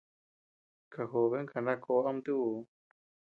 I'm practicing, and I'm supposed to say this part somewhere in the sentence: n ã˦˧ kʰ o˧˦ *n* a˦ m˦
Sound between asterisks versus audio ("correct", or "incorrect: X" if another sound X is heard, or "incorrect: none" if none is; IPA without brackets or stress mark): incorrect: none